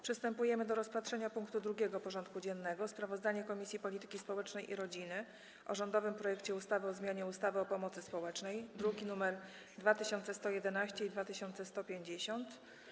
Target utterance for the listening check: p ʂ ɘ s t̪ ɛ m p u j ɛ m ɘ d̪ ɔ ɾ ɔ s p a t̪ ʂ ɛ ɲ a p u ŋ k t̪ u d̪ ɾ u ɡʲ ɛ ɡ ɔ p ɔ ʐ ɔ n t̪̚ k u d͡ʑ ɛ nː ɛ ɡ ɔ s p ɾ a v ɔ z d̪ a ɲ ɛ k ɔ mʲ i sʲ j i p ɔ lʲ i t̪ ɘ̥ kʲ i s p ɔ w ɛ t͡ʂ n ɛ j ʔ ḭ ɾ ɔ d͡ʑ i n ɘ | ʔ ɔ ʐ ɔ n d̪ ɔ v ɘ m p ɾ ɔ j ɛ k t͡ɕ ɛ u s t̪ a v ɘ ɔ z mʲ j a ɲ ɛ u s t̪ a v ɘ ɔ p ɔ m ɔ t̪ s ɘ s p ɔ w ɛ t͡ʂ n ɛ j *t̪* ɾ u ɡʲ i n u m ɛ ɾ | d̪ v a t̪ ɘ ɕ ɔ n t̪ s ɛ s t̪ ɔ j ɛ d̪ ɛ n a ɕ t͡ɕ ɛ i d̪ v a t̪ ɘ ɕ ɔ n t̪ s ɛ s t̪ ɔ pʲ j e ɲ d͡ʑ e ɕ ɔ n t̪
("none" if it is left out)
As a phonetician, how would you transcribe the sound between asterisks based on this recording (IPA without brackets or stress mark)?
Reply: d̪